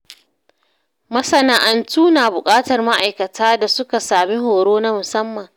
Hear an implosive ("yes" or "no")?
no